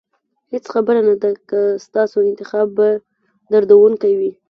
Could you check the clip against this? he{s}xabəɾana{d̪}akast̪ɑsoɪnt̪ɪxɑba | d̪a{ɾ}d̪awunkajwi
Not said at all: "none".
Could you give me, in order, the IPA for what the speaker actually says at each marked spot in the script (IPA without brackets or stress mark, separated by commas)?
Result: t͡s, d̪, ɾ